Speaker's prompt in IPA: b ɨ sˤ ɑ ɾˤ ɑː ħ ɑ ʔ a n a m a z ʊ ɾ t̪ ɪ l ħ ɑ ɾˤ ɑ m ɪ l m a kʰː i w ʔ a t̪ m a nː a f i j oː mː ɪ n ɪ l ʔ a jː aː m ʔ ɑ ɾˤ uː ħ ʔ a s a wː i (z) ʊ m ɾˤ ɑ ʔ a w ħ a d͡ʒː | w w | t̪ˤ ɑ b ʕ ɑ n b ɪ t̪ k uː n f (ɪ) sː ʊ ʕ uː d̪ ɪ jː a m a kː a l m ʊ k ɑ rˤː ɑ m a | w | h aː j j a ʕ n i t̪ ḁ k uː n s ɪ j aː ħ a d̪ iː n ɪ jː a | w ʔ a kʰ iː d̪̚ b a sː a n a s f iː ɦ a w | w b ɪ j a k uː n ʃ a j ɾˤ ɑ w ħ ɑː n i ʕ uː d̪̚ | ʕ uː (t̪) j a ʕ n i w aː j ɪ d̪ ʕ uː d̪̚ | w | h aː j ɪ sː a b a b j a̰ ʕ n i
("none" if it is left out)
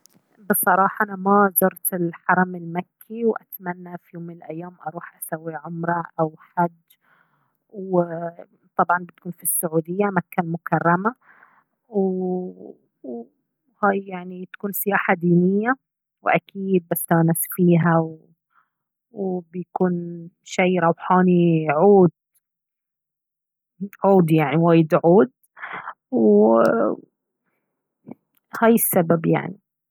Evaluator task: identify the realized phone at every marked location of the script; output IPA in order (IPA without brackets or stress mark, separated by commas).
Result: ʕ, i, d̪